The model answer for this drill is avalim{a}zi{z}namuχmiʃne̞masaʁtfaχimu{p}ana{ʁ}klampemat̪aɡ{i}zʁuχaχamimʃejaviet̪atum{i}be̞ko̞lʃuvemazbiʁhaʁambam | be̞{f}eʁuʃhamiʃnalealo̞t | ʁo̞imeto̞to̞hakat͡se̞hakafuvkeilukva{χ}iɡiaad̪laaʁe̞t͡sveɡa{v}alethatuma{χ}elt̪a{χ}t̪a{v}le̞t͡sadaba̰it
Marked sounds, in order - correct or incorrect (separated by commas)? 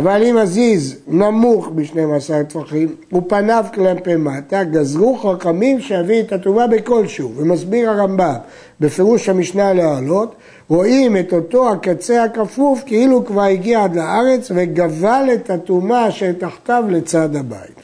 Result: correct, correct, correct, incorrect, incorrect, incorrect, correct, incorrect, correct, incorrect, correct, correct